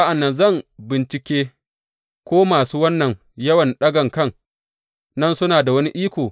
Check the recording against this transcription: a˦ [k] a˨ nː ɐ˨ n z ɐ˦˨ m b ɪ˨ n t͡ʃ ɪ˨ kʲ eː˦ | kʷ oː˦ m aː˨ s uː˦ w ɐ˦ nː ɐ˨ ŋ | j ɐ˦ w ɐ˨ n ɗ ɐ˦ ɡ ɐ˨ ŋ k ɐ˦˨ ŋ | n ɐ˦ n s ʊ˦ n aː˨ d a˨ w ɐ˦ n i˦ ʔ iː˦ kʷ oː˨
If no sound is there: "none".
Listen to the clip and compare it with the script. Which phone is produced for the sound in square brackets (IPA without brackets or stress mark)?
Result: ʔ